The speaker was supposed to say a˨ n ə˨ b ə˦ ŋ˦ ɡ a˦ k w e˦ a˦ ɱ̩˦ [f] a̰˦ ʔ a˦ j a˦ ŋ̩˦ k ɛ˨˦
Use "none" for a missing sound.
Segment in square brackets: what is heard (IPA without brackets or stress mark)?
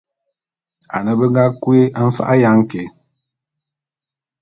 f